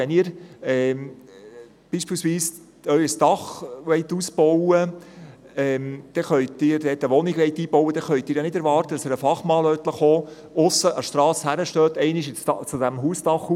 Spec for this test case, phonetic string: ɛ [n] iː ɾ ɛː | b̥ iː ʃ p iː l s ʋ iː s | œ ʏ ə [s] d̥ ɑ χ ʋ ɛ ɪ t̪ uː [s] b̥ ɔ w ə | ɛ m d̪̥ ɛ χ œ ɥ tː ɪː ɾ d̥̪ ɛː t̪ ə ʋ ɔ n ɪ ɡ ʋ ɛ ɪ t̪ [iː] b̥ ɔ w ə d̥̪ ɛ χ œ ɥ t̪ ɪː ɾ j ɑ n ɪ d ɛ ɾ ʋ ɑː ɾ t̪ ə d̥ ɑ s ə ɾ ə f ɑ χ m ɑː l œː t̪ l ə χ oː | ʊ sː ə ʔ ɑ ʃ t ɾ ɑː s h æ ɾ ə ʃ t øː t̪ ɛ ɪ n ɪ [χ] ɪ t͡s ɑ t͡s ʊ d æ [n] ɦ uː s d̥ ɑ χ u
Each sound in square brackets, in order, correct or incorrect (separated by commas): correct, correct, correct, correct, incorrect, incorrect